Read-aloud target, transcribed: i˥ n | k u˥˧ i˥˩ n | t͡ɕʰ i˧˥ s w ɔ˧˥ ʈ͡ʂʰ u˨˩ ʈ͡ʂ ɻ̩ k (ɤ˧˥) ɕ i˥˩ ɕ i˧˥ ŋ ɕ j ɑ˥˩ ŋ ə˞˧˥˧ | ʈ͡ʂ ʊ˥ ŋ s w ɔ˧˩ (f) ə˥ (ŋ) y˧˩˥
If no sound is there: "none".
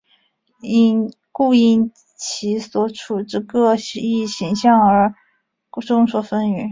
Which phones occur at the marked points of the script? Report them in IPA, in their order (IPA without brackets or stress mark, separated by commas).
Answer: ɤ˥˩, f, n